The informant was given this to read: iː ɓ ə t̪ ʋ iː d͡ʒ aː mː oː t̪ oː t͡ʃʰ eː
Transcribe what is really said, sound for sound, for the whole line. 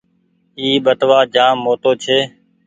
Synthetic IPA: iː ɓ ə t̪ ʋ aː d͡ʒ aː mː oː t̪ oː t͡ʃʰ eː